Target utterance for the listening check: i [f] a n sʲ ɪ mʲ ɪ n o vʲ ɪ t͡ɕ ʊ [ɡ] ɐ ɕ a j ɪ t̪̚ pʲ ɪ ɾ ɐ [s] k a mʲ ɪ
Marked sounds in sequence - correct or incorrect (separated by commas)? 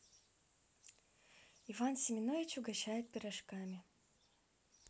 incorrect, correct, incorrect